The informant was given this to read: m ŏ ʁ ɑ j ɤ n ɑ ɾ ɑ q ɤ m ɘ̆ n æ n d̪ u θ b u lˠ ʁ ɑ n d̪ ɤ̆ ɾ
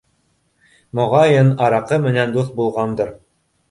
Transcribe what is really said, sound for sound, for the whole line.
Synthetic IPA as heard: m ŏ ʁ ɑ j ɤ n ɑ ɾ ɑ q ɤ m ɘ̆ n æ n d̪ u θ b u lˠ ʁ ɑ n d̪ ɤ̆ ɾ

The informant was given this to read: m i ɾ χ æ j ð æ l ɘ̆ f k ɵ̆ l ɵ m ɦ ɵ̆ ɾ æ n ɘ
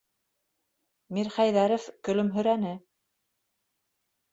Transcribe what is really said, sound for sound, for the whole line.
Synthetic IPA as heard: m i ɾ χ æ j ð æ ɾ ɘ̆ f k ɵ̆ l ɵ m ɦ ɵ̆ ɾ æ n ɘ

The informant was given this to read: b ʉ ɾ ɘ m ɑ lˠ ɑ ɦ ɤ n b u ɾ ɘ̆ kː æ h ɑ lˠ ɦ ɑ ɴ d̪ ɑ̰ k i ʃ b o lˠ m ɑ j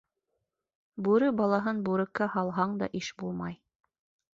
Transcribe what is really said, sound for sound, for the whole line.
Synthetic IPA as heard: b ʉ ɾ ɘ b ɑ lˠ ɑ ɦ ɤ n b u ɾ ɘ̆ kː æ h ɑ lˠ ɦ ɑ ɴ d̪ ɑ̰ ʔ i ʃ b u lˠ m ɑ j

